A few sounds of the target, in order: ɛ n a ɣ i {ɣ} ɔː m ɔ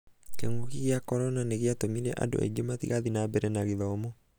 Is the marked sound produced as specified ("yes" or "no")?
no